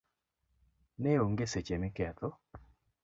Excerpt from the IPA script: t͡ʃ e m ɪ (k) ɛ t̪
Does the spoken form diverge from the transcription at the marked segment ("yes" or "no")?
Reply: no